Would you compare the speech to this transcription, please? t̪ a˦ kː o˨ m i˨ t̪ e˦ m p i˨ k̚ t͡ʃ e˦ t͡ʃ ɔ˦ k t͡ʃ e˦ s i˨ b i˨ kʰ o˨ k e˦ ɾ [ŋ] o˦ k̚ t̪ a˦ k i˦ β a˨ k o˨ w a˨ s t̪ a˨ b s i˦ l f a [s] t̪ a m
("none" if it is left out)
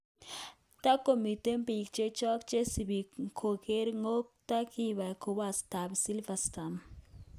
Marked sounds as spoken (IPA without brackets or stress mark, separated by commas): ŋ, s